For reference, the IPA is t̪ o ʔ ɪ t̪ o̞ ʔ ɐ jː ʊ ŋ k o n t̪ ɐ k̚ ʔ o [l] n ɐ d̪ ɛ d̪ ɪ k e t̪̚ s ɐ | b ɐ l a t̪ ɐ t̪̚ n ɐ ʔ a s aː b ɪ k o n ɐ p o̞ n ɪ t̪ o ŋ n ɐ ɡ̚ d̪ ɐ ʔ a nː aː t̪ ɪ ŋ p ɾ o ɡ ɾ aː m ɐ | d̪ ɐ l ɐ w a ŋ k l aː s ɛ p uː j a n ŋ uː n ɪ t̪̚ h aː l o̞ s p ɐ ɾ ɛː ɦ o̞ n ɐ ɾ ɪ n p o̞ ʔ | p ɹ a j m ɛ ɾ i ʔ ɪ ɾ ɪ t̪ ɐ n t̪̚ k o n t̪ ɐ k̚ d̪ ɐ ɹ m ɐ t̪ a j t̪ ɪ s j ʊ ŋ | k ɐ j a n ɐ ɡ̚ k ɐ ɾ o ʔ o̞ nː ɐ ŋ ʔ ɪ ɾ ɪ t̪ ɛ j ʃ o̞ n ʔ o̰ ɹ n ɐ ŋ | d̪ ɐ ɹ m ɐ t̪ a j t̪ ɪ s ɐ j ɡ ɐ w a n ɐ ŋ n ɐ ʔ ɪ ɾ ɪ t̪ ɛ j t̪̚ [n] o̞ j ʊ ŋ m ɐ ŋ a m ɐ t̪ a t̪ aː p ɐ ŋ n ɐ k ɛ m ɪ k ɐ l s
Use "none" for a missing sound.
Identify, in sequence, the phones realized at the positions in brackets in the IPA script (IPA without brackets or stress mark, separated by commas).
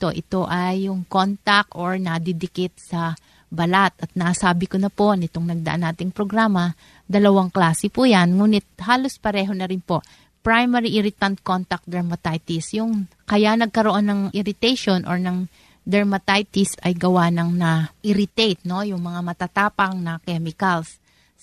ɹ, n